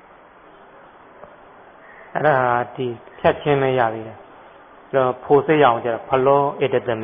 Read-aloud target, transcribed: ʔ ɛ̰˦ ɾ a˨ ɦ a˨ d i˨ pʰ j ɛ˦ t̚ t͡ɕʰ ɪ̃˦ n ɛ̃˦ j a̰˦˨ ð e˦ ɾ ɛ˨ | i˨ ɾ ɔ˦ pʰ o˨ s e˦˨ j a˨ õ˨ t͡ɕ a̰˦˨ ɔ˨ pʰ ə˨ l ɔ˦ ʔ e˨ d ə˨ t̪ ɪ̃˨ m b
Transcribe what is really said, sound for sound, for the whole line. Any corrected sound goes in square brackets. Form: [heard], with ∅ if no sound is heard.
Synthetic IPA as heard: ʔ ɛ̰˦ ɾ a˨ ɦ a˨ d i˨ pʰ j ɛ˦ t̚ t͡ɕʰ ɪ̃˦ [m] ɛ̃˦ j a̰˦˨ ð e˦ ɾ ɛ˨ | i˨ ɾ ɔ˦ pʰ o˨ s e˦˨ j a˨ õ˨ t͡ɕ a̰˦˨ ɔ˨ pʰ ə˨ l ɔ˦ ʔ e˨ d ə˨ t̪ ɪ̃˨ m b